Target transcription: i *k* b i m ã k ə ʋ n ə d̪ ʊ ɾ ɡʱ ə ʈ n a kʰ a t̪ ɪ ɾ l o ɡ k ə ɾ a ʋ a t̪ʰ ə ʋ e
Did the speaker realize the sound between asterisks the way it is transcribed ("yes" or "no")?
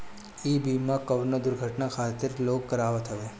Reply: no